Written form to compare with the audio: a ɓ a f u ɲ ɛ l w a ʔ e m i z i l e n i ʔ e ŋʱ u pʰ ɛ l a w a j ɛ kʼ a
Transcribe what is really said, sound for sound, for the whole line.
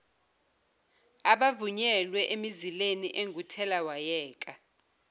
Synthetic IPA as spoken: a ɓ a v u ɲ ɛ l w ɛ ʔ e m i z i l e n i ʔ e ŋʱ u tʰ ɛ l a w a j ɛː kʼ a